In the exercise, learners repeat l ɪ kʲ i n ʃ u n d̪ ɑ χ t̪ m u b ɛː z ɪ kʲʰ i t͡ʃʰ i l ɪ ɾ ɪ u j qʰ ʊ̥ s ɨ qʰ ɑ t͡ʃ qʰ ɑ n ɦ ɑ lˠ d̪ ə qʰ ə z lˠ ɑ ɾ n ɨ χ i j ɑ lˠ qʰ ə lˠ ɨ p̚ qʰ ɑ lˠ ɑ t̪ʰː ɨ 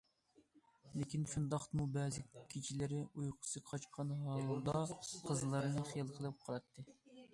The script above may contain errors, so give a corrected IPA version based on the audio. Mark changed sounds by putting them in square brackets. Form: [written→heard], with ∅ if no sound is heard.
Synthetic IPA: l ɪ kʲ i n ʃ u n d̪ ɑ χ t̪ m u b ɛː z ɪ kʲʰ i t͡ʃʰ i l ɪ ɾ ɪ u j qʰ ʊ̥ s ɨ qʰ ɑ t͡ʃ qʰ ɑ n ɦ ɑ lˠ d̪ [ə→ɑ] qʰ ə z lˠ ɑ ɾ n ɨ χ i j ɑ lˠ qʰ ə lˠ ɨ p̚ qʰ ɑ lˠ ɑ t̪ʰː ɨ